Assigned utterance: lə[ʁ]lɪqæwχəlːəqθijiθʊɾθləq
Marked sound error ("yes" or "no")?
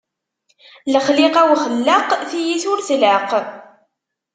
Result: yes